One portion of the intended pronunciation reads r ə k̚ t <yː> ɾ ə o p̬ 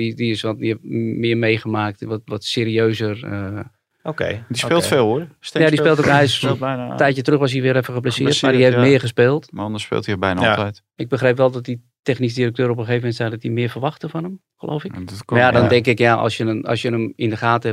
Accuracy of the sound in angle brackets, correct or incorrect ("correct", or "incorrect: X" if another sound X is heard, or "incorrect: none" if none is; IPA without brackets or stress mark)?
incorrect: øː